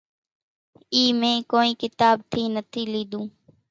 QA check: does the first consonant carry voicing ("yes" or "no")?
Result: yes